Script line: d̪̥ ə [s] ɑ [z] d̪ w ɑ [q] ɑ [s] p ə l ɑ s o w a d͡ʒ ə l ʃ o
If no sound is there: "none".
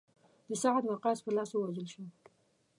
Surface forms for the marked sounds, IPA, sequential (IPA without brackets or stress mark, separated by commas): s, ʕ, q, s